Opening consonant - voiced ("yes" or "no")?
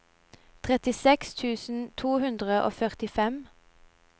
no